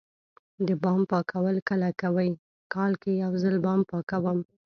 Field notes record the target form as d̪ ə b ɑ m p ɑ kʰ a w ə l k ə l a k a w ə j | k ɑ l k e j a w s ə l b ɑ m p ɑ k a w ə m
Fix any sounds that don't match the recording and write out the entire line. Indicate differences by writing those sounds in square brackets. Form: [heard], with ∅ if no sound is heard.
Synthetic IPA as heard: d̪ ə b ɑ m p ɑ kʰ a w ə l k ə l a k a w ə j | k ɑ l k e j a w [z] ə l b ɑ m p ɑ k a w ə m